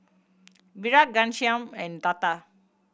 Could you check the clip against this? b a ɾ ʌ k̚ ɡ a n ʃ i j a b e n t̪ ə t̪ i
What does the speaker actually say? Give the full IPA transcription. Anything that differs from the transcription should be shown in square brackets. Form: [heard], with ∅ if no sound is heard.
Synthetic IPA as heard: b [i] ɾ [a] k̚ ɡ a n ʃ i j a [m] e n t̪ [a] t̪ [a]